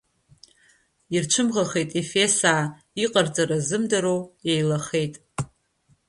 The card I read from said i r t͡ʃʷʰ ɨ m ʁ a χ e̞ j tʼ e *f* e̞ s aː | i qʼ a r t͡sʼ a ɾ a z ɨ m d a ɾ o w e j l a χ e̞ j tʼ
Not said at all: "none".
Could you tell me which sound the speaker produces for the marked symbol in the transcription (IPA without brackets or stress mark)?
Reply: f